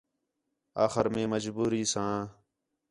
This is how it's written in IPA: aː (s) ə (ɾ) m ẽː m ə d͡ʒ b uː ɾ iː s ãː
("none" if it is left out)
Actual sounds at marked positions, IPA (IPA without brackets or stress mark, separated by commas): x, ɾ